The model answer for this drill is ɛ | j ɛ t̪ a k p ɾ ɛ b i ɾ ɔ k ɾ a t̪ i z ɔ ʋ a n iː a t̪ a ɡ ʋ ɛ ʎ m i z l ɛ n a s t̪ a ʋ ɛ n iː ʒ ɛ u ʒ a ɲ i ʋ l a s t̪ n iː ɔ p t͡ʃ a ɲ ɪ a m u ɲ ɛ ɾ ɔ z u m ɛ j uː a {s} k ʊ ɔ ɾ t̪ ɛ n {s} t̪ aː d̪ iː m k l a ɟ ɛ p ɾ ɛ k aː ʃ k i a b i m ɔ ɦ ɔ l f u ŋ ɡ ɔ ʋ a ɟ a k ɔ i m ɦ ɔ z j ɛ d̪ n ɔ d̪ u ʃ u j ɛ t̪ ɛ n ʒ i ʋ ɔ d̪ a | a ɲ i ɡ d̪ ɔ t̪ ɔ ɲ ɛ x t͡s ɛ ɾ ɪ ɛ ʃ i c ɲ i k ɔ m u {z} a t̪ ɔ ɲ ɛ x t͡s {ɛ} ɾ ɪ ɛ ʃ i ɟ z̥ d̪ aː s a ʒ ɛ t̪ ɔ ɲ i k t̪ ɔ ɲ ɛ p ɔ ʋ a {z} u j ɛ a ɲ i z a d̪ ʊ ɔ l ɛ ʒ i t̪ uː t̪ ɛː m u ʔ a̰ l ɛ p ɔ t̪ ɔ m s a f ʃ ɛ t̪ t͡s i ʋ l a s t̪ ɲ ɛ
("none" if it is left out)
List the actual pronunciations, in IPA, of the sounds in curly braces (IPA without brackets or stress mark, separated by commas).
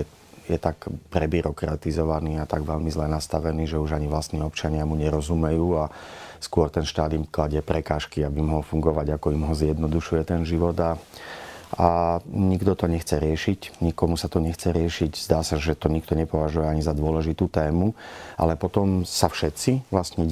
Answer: s, ʃ, s, ɛ, ʒ